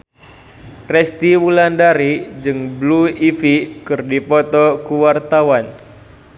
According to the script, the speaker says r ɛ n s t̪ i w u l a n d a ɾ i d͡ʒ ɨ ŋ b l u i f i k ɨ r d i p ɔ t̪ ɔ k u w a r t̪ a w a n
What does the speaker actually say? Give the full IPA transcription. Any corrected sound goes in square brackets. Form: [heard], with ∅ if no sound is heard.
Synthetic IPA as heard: r ɛ [∅] s t̪ i w u l a n d a ɾ i d͡ʒ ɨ ŋ b l u i f i k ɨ r d i p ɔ t̪ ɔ k u w a r t̪ a w a n